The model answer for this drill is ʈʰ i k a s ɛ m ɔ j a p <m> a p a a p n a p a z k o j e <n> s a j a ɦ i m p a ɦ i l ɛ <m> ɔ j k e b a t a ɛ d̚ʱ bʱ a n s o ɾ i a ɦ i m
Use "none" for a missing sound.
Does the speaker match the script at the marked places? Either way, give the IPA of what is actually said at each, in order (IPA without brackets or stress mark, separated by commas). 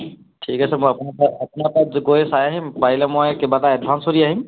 n, none, m